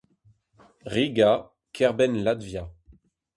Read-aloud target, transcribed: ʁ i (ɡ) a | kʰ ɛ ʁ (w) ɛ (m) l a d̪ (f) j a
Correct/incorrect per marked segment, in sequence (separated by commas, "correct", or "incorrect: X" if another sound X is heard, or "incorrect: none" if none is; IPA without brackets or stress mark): correct, incorrect: b, incorrect: n, incorrect: v